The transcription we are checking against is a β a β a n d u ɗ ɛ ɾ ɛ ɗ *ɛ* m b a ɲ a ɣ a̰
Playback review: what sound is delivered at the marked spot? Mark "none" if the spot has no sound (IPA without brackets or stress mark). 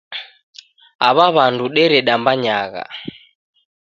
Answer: a